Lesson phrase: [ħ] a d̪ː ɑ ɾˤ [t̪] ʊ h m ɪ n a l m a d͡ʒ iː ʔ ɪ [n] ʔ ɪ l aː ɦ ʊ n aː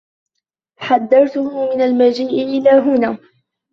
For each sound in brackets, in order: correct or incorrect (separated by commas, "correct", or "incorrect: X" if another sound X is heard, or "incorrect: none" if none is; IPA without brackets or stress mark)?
correct, correct, incorrect: none